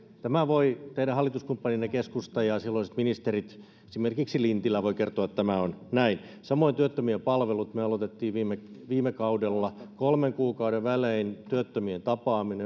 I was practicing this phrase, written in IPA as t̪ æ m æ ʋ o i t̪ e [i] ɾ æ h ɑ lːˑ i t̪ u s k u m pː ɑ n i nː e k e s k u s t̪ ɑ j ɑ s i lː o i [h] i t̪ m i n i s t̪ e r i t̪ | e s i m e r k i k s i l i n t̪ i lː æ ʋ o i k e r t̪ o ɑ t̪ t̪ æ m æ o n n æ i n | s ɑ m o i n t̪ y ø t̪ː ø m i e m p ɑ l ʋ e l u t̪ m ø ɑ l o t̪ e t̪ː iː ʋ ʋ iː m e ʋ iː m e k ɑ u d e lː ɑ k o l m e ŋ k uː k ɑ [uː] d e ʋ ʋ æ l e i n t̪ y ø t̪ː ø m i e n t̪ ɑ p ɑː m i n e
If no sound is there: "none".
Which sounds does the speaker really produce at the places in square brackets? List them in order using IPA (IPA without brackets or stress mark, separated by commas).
i, s, u